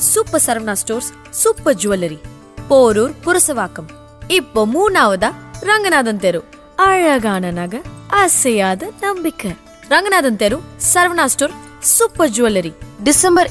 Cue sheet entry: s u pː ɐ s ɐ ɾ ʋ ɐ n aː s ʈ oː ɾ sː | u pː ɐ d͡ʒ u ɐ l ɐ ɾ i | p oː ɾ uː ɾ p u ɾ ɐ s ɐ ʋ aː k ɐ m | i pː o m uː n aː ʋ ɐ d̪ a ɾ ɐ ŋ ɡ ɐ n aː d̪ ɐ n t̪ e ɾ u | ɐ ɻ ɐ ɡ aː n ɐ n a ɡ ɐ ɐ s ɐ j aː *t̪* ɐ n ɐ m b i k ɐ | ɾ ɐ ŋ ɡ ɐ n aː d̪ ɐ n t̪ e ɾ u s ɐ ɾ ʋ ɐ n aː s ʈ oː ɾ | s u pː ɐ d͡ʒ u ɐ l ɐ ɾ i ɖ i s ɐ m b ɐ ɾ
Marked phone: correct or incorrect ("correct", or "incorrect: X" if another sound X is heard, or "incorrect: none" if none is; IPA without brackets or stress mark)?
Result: incorrect: d̪